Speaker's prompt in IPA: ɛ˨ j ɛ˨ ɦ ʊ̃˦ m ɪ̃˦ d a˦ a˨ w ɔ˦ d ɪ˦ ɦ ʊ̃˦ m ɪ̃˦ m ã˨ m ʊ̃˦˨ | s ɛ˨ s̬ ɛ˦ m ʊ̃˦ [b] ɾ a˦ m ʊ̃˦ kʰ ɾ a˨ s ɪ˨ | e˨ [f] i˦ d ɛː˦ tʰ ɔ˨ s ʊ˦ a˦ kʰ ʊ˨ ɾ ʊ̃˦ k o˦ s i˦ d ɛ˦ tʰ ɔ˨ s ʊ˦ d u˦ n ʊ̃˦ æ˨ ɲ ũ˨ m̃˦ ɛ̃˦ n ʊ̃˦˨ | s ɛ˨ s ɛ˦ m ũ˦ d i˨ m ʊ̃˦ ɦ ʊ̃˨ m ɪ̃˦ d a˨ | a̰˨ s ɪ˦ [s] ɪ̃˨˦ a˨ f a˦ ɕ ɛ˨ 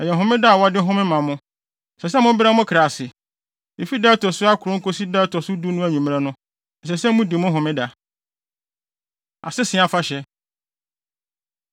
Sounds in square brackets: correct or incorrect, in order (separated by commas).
correct, correct, correct